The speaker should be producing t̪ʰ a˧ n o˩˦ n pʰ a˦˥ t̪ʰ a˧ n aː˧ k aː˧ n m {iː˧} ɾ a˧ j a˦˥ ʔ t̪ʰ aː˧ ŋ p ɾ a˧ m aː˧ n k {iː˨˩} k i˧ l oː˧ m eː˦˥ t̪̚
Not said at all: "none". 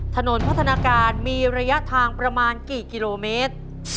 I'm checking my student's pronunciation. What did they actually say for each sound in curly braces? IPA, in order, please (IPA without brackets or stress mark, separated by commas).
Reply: iː˧, iː˨˩